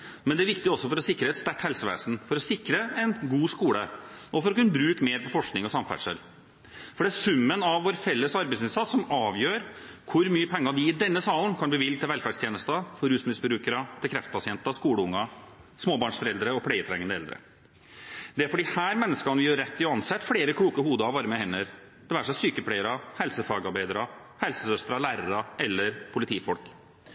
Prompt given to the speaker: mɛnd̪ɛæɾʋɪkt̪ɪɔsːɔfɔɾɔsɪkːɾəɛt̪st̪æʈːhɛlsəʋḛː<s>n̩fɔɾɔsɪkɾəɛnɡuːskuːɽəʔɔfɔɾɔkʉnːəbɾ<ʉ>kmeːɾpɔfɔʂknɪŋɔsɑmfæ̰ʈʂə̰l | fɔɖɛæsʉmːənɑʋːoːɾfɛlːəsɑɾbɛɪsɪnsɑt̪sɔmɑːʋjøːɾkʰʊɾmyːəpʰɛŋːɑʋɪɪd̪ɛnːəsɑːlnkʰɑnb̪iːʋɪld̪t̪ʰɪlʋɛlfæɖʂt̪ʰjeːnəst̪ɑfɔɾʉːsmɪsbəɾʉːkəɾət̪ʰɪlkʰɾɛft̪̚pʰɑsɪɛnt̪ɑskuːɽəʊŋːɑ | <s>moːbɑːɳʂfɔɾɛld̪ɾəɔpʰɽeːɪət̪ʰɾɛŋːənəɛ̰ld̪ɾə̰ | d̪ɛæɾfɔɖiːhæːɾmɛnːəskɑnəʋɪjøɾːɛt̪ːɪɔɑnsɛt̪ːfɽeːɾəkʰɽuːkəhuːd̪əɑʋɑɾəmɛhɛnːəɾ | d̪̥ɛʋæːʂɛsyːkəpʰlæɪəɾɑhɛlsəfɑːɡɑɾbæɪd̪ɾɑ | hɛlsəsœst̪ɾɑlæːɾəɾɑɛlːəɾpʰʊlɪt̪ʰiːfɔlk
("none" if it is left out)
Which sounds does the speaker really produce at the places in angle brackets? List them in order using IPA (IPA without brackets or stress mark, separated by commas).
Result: s, ʉː, s